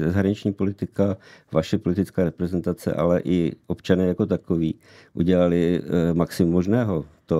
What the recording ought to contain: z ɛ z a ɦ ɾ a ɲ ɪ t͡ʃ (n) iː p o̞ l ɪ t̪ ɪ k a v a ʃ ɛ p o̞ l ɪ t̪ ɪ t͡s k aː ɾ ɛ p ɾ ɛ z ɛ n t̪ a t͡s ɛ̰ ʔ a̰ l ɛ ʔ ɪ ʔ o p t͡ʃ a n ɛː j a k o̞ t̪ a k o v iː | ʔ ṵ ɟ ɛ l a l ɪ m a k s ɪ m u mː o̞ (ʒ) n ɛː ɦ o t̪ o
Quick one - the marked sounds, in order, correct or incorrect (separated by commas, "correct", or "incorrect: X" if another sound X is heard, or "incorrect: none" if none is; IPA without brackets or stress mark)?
incorrect: ɲ, correct